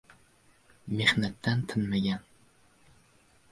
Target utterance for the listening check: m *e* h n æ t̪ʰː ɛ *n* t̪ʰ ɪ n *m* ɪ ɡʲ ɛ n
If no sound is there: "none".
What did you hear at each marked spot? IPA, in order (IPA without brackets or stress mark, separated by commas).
e, n, m